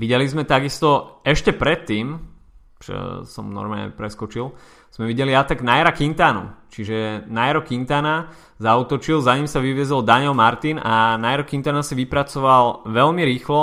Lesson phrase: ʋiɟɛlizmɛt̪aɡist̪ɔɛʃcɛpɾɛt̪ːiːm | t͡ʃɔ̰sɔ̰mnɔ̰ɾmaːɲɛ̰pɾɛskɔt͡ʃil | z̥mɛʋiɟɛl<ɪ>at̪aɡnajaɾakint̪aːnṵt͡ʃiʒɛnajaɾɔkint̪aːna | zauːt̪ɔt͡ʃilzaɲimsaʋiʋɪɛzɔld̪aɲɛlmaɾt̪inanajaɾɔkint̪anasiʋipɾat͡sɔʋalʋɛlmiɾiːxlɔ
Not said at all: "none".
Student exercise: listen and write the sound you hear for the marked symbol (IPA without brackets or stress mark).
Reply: i